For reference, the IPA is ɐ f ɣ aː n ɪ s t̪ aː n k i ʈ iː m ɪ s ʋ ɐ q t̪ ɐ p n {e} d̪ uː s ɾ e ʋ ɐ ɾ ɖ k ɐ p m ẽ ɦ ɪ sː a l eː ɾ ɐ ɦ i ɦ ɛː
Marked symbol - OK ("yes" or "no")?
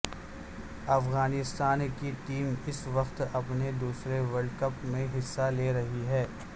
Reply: yes